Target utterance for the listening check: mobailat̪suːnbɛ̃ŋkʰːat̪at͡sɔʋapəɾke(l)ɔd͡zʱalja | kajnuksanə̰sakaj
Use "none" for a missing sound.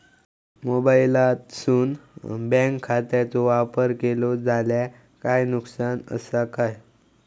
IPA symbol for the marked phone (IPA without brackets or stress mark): l